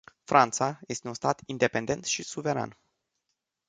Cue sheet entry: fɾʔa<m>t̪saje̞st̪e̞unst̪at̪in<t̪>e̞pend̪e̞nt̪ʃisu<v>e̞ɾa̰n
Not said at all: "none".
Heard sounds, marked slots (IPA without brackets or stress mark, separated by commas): n, d̪, v